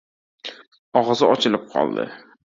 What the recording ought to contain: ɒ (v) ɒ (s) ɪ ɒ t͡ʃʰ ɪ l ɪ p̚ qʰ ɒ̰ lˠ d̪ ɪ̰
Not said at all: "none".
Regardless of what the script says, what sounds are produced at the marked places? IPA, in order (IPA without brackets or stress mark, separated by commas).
ʁ, z